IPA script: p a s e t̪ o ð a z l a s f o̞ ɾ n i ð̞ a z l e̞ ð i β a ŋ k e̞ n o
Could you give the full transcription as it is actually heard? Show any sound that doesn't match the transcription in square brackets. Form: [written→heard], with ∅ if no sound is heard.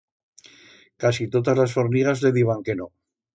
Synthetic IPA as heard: [p→k] a s [e→i] t̪ o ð a z l a s f o̞ ɾ n i [ð̞→ɣ̞] a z l e̞ ð i β a ŋ k e̞ n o